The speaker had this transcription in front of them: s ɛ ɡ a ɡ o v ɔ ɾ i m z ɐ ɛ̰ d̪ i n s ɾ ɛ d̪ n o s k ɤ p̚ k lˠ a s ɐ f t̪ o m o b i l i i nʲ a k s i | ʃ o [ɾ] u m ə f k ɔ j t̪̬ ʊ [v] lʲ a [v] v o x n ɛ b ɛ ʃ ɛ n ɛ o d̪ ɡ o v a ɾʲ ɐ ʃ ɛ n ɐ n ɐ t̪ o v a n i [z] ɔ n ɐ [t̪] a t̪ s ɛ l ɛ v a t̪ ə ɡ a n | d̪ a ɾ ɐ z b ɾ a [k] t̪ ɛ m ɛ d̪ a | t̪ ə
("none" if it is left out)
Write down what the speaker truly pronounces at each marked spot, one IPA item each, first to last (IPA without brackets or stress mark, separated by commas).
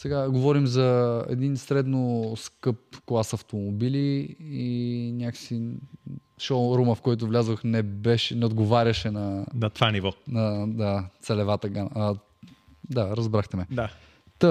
ɾ, v, z, v, d̪, x